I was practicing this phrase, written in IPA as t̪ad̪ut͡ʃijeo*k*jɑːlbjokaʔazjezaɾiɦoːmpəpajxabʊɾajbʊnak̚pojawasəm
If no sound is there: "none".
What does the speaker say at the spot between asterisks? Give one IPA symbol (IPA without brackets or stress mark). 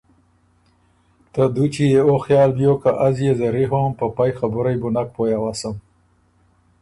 x